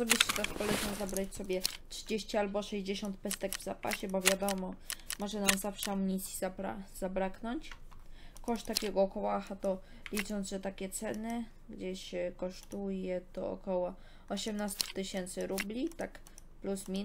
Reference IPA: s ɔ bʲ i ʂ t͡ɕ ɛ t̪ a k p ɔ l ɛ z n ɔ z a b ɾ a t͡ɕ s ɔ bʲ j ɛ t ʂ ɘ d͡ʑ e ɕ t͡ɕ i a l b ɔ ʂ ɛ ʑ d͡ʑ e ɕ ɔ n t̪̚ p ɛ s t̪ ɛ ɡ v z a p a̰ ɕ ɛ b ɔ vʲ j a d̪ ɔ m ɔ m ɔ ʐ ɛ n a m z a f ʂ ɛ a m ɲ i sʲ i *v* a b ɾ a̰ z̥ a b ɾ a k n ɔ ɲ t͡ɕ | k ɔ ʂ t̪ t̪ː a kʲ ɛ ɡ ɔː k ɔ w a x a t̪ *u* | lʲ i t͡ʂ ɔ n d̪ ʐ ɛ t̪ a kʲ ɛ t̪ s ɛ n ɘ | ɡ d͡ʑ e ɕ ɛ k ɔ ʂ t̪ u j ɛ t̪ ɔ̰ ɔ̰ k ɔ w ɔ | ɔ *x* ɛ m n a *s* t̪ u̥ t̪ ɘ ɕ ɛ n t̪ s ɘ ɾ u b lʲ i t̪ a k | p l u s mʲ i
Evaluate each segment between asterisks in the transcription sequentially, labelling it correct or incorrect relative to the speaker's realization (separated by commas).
incorrect, incorrect, incorrect, correct